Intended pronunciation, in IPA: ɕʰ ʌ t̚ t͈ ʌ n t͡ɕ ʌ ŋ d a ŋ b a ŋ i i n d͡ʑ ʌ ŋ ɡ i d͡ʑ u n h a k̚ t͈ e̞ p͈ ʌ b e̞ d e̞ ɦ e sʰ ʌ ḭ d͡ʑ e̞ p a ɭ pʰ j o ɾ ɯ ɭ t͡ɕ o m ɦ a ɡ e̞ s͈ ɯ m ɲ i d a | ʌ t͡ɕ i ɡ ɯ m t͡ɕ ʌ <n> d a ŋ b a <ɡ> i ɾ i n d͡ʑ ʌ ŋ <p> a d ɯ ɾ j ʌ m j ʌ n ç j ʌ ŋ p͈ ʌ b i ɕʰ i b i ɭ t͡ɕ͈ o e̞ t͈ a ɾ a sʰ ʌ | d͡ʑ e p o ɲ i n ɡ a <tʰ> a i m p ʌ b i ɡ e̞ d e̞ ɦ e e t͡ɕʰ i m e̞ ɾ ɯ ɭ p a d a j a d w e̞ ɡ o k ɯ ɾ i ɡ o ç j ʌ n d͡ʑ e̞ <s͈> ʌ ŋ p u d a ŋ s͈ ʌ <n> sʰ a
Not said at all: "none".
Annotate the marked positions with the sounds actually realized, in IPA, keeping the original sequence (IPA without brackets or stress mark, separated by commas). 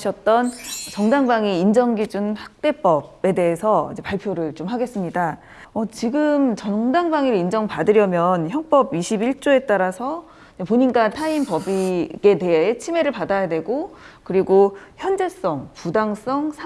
ŋ, ŋ, p, tʰ, s͈, ŋ